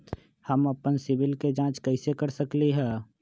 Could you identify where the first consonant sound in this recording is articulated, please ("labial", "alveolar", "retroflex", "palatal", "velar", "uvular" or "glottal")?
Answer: glottal